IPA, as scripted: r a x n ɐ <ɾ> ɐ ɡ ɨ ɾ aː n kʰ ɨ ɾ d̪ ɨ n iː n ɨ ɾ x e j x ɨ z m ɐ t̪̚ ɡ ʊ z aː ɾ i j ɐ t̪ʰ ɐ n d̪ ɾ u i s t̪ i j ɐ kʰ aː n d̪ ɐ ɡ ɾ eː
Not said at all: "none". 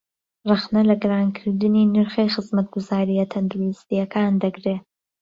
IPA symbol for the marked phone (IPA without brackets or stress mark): l